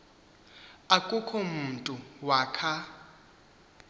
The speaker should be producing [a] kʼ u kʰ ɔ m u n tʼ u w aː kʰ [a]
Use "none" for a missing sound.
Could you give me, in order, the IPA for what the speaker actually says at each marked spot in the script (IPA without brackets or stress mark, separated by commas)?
a, a